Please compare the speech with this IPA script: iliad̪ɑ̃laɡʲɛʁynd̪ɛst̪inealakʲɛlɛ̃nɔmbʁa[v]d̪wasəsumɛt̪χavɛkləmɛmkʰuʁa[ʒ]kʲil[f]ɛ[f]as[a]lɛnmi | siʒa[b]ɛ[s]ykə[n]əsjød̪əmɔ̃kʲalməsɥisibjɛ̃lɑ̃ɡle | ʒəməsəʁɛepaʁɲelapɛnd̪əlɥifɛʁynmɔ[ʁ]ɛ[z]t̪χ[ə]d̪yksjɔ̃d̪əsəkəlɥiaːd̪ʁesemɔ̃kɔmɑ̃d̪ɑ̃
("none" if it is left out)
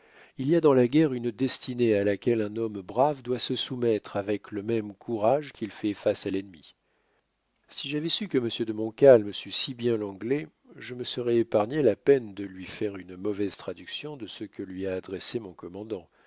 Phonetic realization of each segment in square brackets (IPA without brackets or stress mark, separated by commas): v, ʒ, f, f, a, v, s, m, v, z, a